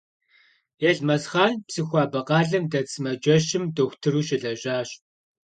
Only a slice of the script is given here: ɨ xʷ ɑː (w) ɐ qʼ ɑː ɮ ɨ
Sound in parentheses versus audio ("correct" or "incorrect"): incorrect